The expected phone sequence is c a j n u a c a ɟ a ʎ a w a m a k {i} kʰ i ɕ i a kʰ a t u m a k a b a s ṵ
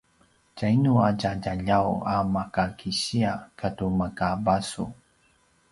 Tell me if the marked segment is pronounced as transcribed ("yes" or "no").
no